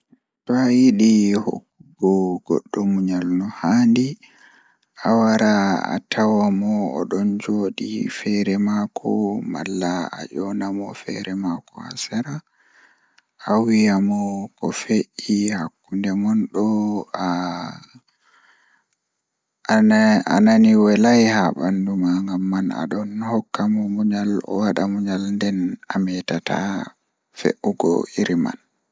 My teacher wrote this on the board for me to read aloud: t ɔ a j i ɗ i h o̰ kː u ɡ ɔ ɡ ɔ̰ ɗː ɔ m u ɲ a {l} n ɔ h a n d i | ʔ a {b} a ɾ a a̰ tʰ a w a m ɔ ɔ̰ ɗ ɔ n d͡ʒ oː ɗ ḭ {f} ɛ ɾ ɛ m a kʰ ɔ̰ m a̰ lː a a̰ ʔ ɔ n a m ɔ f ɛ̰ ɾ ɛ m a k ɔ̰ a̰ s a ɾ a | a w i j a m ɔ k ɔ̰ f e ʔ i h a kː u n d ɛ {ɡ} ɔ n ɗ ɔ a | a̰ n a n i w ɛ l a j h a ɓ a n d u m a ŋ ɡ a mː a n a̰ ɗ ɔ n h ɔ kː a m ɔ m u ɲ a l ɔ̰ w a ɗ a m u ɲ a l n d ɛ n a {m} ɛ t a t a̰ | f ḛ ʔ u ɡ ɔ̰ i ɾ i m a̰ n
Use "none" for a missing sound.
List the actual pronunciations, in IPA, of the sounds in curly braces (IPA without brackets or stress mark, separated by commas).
l, w, f, ŋ, m